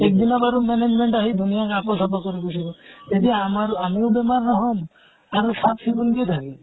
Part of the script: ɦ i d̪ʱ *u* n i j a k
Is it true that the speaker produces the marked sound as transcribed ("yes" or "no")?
yes